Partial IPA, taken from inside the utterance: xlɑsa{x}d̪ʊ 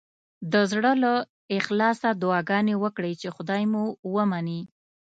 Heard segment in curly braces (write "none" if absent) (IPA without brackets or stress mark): none